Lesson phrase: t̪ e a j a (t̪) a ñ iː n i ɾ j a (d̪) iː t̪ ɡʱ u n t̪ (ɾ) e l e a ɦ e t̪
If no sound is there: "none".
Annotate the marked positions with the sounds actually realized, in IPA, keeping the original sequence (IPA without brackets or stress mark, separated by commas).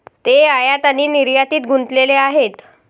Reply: t̪, t̪, l